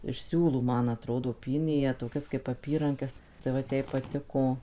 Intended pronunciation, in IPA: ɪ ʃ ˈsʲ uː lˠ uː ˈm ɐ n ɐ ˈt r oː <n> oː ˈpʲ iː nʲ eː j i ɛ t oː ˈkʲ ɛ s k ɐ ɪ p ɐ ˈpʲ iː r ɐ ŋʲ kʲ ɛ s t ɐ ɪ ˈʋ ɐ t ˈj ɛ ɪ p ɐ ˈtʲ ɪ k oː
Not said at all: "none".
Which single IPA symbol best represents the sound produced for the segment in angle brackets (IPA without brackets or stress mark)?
d